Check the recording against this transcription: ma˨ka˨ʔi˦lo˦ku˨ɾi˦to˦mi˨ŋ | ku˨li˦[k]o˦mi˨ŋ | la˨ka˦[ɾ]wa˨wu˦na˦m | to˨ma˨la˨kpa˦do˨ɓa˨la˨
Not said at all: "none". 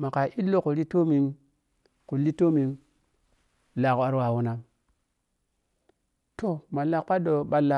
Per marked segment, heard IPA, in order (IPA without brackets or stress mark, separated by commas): t, ɾ